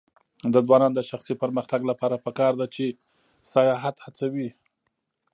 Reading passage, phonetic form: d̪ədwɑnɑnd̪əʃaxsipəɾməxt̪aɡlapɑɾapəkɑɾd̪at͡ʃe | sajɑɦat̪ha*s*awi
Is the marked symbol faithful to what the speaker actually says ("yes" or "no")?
no